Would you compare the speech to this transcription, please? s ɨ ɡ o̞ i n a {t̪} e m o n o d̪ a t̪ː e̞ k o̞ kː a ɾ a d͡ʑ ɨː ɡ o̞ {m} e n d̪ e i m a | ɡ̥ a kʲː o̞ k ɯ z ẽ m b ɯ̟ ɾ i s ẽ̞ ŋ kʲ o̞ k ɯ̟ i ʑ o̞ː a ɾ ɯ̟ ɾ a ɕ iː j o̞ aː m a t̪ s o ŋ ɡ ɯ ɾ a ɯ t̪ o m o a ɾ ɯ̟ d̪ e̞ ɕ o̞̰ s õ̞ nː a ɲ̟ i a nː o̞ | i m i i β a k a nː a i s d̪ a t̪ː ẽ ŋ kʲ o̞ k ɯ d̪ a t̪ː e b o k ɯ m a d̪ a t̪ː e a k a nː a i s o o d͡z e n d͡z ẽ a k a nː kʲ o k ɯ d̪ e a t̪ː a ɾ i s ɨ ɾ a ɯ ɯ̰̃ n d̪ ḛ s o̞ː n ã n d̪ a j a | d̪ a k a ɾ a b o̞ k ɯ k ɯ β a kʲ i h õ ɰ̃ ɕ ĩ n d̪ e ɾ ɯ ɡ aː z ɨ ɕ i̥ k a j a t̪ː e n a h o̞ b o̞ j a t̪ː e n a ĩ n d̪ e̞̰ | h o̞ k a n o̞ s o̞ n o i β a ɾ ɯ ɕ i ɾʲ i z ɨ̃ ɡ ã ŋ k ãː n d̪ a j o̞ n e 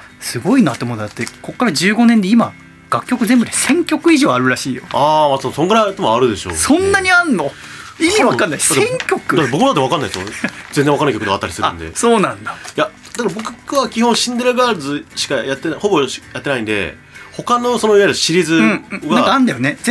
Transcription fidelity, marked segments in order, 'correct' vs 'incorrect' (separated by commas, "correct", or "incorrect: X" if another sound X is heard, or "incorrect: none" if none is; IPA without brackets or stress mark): correct, incorrect: n